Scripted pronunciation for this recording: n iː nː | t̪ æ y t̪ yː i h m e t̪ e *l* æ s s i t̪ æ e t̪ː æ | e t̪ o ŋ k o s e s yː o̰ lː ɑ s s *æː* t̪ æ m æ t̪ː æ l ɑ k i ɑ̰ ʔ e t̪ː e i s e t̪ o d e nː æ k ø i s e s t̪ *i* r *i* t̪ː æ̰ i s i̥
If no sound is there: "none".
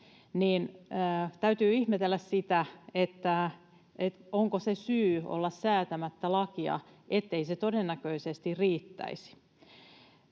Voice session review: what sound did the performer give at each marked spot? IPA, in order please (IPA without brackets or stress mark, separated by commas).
lː, æː, i, iː